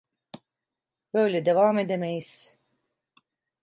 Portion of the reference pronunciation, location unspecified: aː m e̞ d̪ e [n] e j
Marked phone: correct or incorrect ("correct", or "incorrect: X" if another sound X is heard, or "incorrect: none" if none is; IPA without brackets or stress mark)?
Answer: incorrect: m